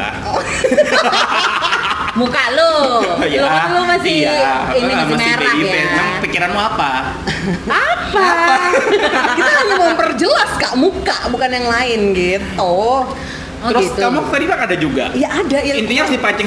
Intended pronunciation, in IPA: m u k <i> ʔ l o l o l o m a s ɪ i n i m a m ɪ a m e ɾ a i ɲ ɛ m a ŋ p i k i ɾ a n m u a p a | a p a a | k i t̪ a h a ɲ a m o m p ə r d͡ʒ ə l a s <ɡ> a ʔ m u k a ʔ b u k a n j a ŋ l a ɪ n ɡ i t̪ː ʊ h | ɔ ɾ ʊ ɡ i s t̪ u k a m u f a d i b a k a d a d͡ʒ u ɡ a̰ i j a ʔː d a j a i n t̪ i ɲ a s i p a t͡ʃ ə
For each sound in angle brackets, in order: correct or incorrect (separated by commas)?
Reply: incorrect, incorrect